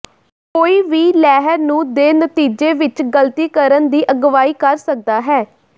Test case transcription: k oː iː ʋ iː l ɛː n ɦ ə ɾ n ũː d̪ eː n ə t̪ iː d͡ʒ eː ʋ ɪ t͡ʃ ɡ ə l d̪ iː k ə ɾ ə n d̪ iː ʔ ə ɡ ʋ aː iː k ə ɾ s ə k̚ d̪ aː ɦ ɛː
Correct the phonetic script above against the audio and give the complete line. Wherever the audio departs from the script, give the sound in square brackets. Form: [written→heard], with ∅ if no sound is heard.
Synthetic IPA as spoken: k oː iː ʋ iː l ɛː [n→∅] ɦ ə ɾ n ũː d̪ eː n ə t̪ iː d͡ʒ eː ʋ ɪ t͡ʃ ɡ ə l [d̪→t̪] iː k ə ɾ ə n d̪ iː ʔ ə ɡ ʋ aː iː k ə ɾ s ə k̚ d̪ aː ɦ ɛː